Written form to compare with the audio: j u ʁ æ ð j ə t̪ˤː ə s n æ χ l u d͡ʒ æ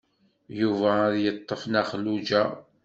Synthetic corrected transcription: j u v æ ð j ə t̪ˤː ə f n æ χ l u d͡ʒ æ